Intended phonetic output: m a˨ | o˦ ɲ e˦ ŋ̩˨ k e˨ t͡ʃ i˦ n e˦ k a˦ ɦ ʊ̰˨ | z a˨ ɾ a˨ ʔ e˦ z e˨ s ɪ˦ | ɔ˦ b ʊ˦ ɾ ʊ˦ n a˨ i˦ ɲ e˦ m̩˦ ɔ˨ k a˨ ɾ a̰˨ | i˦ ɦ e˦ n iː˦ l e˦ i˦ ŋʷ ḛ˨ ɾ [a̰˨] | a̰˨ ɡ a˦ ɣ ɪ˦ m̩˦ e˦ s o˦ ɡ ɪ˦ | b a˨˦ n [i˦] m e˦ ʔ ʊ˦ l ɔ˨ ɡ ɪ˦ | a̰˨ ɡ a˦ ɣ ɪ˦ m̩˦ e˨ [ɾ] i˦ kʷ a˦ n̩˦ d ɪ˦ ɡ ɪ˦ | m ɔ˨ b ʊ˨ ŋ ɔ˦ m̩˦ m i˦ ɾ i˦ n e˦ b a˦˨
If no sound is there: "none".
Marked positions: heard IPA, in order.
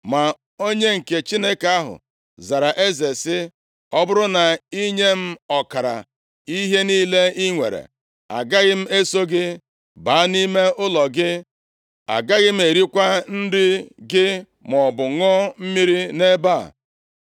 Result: ḛ˨, i˦, ɾ

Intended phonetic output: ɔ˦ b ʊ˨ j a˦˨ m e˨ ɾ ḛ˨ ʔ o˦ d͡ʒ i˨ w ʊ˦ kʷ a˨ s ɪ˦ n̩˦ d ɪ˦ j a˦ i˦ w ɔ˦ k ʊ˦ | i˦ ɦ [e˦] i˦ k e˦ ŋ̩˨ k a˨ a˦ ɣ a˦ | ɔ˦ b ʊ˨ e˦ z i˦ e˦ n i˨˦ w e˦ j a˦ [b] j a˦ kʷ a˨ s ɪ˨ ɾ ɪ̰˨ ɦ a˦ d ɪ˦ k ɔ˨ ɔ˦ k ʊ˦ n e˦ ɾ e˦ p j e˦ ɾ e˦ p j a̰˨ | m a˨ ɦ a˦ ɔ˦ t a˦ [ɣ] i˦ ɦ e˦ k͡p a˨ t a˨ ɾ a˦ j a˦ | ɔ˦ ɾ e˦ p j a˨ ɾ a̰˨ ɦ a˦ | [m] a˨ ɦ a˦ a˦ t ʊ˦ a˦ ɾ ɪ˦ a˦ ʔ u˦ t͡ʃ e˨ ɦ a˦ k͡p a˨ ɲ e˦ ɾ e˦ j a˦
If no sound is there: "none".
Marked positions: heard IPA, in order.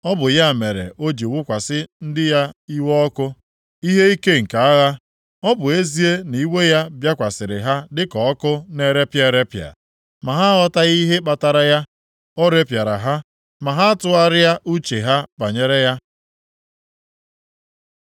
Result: e˦, b, ɣ, m

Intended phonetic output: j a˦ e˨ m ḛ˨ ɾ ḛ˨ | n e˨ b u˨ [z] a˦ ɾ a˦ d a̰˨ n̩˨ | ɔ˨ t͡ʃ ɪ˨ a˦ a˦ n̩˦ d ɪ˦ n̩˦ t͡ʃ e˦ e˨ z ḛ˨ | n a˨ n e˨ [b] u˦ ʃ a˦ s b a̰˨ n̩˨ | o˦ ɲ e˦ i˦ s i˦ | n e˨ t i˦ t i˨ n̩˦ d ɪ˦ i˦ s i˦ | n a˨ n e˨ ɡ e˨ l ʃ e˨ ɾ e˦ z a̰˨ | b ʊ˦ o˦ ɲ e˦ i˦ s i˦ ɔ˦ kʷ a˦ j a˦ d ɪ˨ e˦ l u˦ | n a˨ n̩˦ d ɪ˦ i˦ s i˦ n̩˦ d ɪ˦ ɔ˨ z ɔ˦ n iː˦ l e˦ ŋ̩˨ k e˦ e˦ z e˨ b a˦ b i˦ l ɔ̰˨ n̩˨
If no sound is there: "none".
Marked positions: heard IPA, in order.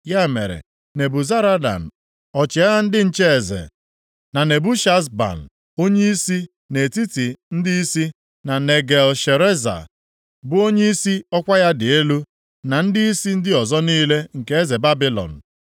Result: z, b

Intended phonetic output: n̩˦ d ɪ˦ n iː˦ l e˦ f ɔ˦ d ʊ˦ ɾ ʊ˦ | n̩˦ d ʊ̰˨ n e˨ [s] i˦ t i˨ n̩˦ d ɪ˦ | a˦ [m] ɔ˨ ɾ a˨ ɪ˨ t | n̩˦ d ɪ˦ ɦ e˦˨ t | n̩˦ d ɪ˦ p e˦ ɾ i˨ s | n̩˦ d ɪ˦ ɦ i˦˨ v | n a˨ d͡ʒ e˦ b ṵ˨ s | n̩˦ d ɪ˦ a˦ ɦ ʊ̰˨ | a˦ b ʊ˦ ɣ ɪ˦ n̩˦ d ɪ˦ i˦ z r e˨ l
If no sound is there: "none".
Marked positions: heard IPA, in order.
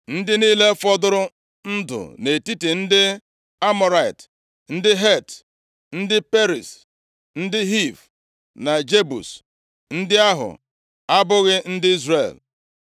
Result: t, m

